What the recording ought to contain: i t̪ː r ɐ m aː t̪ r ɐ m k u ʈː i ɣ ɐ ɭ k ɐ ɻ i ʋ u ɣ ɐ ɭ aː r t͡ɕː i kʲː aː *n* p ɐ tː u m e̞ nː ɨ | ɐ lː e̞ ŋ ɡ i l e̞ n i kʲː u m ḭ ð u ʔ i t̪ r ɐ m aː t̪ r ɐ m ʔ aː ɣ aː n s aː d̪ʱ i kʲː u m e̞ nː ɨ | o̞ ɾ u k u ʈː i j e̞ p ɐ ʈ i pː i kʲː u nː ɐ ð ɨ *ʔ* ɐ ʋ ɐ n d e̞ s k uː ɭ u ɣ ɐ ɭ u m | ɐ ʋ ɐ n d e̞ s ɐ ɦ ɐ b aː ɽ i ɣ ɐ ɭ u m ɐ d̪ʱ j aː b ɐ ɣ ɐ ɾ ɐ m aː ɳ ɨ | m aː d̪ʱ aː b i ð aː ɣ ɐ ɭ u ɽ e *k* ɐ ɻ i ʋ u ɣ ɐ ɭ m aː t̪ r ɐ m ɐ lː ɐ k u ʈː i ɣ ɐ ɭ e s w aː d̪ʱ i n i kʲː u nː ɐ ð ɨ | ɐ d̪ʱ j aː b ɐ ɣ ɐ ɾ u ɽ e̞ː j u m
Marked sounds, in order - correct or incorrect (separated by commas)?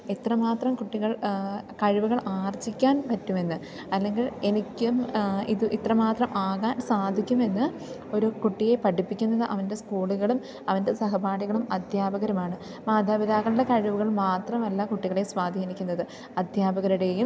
correct, correct, correct